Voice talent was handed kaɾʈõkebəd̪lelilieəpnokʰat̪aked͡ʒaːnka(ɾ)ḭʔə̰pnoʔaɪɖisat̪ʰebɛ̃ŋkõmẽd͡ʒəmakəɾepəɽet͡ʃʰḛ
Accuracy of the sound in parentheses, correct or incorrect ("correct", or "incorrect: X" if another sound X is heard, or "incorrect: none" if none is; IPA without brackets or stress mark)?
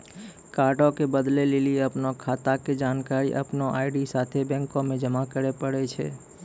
correct